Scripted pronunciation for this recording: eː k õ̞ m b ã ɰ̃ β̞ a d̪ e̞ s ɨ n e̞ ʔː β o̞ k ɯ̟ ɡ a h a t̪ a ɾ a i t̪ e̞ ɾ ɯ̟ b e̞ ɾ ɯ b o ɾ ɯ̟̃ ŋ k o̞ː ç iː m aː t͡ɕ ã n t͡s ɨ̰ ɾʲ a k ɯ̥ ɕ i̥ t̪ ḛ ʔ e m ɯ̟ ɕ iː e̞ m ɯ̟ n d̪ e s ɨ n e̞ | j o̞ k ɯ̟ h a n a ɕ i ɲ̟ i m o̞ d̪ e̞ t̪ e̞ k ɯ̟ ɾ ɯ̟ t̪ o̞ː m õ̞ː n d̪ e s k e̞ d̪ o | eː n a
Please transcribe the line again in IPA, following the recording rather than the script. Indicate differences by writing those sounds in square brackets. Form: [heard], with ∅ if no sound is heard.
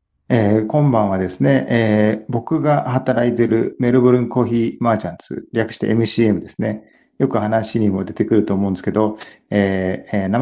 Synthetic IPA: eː k õ̞ m b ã ɰ̃ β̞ a d̪ e̞ s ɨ n e̞ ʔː [b] o̞ k ɯ̟ ɡ a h a t̪ a ɾ a i t̪ e̞ ɾ ɯ̟ [m] e̞ ɾ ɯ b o ɾ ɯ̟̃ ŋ k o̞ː ç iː m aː t͡ɕ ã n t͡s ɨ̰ ɾʲ a k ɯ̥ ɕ i̥ t̪ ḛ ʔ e m ɯ̟ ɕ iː e̞ m ɯ̟ [∅] d̪ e s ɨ n e̞ | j o̞ k ɯ̟ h a n a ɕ i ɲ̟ i m o̞ d̪ e̞ t̪ e̞ k ɯ̟ ɾ ɯ̟ t̪ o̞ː m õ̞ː n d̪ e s k e̞ d̪ o | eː n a